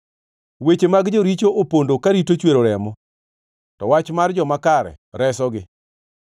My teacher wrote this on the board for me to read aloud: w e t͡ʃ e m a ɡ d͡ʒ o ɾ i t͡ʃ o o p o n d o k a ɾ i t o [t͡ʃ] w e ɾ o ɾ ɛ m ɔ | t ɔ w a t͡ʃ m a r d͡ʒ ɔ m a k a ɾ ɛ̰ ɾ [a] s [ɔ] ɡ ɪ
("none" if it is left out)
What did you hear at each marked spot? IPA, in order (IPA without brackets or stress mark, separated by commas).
t͡ʃ, ɛ, ɔ